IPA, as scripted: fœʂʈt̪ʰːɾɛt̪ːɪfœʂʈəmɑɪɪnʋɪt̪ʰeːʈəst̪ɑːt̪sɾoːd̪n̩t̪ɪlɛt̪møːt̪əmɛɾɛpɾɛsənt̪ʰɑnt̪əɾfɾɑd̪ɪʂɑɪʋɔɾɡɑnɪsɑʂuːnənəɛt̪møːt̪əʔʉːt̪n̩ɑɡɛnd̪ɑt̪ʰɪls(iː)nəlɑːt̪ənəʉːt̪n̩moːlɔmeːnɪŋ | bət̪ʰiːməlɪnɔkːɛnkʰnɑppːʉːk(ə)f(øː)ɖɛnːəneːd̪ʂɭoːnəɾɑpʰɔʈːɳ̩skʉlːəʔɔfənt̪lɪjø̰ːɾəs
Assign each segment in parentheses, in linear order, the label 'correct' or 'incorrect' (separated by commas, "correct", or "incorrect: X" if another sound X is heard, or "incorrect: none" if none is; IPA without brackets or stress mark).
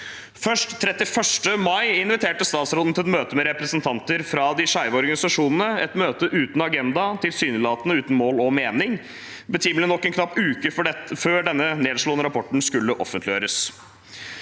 incorrect: yː, correct, correct